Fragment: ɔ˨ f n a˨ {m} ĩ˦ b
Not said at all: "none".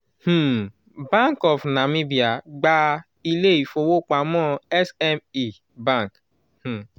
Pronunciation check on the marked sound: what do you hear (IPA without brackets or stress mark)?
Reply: m